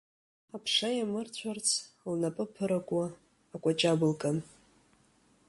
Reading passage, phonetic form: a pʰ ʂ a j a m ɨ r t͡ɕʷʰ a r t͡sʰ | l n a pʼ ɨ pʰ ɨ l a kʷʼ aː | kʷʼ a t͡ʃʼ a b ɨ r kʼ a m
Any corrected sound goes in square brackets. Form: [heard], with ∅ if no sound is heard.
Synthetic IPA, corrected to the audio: a pʰ ʂ a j a m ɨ r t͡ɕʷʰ a r t͡sʰ | l n a pʼ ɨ pʰ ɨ [ɾ] a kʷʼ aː | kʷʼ a t͡ʃʼ a b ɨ [l] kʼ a m